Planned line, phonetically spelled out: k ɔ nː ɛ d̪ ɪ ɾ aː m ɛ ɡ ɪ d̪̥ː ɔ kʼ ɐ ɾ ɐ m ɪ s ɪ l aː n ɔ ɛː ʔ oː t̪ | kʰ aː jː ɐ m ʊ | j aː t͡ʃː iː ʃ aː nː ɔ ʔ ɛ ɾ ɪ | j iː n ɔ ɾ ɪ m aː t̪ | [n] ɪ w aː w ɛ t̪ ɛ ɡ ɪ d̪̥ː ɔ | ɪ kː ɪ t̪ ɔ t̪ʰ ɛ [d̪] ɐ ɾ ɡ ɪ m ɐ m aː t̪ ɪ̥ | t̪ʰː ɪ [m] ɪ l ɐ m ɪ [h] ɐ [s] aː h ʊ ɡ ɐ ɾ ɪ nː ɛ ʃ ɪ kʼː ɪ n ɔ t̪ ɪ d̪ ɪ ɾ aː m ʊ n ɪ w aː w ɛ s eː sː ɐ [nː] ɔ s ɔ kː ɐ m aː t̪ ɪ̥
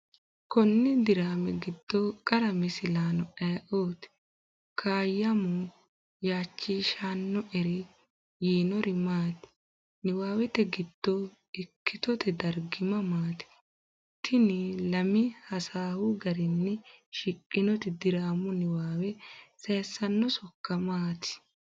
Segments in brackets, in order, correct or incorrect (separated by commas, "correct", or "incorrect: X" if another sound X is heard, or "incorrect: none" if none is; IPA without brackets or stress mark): correct, correct, incorrect: n, correct, correct, correct